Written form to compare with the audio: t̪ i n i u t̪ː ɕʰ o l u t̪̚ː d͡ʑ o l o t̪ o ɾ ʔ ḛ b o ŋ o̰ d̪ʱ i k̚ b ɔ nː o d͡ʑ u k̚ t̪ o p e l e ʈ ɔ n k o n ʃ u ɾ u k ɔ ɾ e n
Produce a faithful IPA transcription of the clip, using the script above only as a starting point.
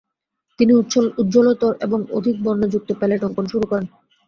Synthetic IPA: t̪ i n i u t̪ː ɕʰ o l u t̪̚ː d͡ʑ o l o t̪ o ɾ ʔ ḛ b o ŋ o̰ d̪ʱ i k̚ b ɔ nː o d͡ʑ u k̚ t̪ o p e l e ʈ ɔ ŋ k o n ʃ u ɾ u k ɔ ɾ e n